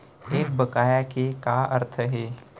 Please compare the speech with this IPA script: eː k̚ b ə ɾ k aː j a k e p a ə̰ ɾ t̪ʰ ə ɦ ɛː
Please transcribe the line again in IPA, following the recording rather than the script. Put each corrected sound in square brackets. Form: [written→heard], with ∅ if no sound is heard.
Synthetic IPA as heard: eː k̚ b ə [ɾ→∅] k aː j a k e [p→k] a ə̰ ɾ t̪ʰ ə ɦ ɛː